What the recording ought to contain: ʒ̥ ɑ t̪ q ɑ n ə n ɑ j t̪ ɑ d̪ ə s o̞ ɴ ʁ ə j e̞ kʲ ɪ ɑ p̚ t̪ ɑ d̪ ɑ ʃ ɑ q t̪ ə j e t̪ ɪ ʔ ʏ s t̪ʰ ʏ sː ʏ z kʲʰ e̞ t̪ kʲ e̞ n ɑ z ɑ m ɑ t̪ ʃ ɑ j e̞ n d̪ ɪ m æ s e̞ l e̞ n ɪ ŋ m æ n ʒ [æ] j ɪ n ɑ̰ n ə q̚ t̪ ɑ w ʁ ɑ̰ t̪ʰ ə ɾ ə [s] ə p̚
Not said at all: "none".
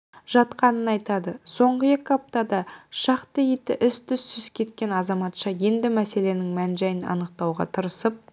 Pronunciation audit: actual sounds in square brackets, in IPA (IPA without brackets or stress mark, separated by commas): æ, s